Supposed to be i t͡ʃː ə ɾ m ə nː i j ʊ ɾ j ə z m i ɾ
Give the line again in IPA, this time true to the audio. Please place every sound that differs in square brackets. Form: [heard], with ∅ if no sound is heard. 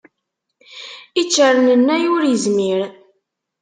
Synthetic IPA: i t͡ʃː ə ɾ [n] ə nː [æ] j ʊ ɾ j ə z m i ɾ